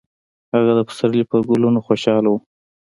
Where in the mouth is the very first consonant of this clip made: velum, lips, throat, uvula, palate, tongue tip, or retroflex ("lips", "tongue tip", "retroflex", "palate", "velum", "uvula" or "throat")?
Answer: throat